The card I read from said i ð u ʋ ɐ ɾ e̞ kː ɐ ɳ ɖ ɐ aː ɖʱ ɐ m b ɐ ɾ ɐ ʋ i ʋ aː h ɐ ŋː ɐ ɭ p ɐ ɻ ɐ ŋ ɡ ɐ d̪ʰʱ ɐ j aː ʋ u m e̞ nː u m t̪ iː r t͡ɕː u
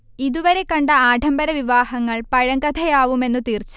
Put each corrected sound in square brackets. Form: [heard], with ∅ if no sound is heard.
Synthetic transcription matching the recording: i ð u ʋ ɐ ɾ e̞ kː ɐ ɳ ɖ ɐ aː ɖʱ ɐ m b ɐ ɾ ɐ ʋ i ʋ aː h ɐ ŋː ɐ ɭ p ɐ ɻ ɐ ŋ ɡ ɐ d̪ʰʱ ɐ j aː ʋ u m e̞ nː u [∅] t̪ iː r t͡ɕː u